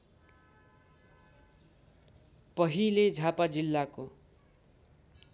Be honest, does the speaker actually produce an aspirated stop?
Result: no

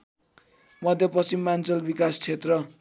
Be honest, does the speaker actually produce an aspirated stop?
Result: yes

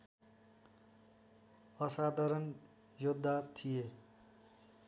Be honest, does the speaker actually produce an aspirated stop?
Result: yes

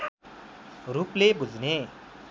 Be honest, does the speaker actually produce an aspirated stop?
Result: no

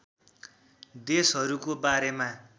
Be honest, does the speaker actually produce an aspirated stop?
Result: no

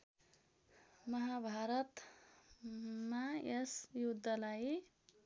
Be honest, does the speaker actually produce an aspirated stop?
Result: no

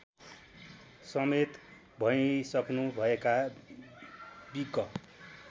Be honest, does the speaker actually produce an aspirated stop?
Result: no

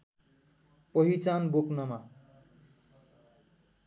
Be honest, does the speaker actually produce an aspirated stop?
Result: no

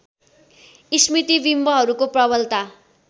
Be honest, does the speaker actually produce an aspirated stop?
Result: no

